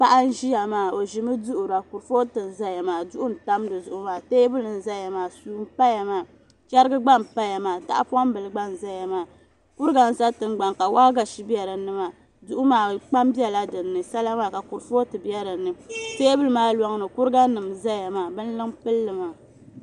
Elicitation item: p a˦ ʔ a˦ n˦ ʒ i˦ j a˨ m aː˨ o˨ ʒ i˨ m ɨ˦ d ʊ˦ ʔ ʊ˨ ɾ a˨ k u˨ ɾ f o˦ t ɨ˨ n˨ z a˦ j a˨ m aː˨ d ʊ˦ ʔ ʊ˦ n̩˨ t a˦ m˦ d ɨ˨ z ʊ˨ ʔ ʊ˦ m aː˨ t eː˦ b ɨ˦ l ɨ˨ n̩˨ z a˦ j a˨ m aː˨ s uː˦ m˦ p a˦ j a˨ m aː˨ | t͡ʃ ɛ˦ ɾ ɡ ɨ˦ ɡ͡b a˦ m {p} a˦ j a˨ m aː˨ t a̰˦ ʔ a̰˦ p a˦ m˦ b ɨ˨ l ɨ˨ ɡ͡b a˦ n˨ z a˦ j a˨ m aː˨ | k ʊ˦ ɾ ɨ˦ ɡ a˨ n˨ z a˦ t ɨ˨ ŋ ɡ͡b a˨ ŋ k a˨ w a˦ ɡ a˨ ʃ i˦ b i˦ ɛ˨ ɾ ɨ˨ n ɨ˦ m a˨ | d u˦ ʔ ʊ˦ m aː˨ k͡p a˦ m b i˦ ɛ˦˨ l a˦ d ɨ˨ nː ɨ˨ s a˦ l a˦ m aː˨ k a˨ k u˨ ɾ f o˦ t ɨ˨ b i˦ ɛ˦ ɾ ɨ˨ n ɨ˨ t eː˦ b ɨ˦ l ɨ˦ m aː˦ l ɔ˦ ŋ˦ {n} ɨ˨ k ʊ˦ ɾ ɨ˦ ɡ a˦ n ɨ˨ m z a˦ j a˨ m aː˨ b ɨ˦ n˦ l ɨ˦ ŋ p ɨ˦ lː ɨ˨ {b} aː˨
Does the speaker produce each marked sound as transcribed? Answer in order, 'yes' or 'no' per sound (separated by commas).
yes, yes, no